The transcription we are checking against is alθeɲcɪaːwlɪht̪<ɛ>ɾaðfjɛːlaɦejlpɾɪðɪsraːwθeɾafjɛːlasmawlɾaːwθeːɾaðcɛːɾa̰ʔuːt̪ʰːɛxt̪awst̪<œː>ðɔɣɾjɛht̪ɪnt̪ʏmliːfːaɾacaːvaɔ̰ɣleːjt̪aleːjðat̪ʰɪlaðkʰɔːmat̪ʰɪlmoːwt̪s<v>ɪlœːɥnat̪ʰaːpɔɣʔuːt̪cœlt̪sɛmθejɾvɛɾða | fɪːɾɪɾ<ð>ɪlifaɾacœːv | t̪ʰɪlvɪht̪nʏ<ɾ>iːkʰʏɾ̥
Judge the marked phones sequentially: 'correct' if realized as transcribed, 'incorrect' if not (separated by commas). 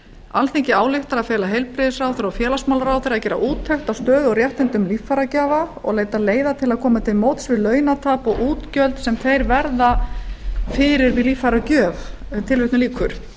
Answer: incorrect, correct, correct, incorrect, incorrect